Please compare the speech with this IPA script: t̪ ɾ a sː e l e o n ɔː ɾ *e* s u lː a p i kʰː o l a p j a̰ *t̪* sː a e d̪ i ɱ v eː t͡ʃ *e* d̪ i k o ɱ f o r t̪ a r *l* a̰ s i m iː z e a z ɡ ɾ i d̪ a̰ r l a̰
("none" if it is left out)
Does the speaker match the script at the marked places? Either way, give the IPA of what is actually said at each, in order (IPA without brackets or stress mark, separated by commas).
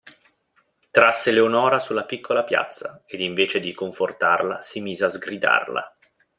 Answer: a, t̪, e, l